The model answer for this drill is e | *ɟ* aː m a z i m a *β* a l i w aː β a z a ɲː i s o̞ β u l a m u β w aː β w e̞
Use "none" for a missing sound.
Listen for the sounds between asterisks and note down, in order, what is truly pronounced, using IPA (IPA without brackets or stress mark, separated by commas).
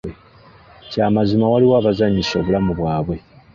c, w